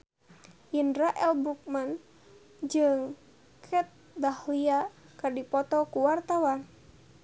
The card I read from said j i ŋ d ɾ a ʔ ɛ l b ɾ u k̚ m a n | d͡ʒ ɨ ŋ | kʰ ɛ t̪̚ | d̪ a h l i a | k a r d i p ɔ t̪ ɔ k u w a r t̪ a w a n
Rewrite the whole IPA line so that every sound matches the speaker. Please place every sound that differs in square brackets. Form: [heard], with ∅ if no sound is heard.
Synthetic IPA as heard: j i [n] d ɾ a ʔ ɛ l b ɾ u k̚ m a n | d͡ʒ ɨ ŋ | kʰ ɛ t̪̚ | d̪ a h l i a | k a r d i p ɔ t̪ ɔ k u w a r t̪ a w a n